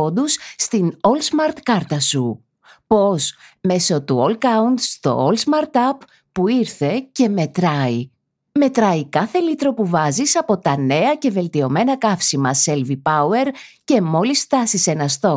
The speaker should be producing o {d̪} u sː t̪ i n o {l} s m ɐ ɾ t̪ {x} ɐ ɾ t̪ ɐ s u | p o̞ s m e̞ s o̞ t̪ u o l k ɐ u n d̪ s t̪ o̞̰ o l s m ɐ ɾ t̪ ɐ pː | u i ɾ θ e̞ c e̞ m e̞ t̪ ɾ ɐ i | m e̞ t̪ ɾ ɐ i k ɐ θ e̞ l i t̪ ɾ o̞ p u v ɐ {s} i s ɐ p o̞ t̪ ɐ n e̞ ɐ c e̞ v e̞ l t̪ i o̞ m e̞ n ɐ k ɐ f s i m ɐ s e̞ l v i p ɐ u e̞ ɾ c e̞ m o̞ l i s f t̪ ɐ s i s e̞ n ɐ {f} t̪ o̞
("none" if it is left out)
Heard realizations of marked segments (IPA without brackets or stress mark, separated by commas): d̪, l, k, z, s